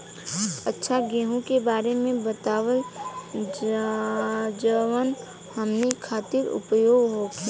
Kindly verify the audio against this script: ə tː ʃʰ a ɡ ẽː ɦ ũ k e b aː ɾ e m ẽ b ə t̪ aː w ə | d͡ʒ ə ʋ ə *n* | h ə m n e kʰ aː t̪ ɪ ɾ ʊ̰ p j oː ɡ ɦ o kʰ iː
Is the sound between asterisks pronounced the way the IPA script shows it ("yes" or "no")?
yes